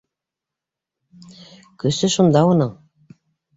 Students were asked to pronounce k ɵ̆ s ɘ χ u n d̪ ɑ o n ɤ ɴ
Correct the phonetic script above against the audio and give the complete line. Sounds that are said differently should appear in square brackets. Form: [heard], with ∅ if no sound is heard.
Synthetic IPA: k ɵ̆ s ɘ [ʃ] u n d̪ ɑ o n ɤ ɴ